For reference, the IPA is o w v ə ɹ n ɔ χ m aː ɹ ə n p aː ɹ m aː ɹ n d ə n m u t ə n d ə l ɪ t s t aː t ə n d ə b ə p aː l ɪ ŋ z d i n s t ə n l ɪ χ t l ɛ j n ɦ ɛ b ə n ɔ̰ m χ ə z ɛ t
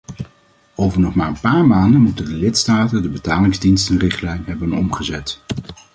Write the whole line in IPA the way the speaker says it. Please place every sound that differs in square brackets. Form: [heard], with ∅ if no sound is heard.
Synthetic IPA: o w v ə ɹ n ɔ χ m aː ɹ ə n p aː ɹ m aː [∅] n d ə n m u t ə n d ə l ɪ t s t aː t ə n d ə b ə [t] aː l ɪ ŋ z d i n s t ə n [r] ɪ χ t l ɛ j n ɦ ɛ b ə n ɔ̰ m χ ə z ɛ t

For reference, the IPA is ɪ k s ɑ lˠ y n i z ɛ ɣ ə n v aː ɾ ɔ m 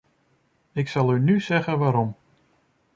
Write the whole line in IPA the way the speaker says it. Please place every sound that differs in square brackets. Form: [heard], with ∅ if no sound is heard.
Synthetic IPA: ɪ k s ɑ lˠ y n [y] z ɛ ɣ ə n [ʋ] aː ɾ ɔ m

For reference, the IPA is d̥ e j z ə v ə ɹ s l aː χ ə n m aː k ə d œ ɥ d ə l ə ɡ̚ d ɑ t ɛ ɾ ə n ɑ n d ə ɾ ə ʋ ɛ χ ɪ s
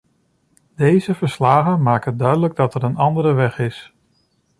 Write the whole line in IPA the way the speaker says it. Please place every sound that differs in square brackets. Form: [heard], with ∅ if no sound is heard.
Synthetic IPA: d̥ e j z ə v ə ɹ s l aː χ ə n m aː k ə d œ ɥ d ə l ə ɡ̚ d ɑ t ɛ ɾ ə n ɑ n d ə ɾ ə ʋ ɛ χ ɪ s

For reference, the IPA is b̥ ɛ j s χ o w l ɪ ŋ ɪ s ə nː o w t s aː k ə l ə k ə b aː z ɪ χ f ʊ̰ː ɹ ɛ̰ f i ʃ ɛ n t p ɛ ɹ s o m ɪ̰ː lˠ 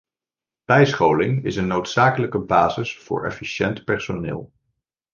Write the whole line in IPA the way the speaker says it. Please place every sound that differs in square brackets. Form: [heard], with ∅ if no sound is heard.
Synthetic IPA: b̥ ɛ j s χ o w l ɪ ŋ ɪ s ə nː o w t s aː k ə l ə k ə b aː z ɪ [s] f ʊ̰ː ɹ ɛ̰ f i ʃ ɛ n t p ɛ ɹ s o [n] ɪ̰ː lˠ

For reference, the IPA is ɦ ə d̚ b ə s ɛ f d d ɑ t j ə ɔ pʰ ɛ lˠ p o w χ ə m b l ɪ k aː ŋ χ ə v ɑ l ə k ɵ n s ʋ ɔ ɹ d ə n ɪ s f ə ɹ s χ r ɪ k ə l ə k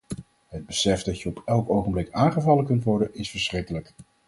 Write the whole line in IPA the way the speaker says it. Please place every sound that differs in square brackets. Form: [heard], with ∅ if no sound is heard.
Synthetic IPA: ɦ ə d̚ b ə s ɛ f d d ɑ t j ə ɔ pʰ ɛ lˠ [k] o w χ ə m b l ɪ k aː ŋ χ ə v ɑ l ə k ɵ n [t] ʋ ɔ ɹ d ə n ɪ s f ə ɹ s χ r ɪ k ə l ə k

